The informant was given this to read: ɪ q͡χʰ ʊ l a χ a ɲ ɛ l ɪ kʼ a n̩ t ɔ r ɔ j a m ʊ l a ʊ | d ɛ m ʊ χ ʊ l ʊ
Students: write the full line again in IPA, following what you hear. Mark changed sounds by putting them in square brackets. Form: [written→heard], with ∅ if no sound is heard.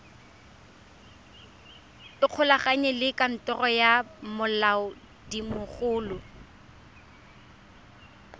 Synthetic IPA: ɪ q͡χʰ ʊ l a χ a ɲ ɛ l ɪ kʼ a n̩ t ɔ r ɔ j a m ʊ l a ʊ | d [ɛ→i] m ʊ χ [ʊ→ʊː] l ʊ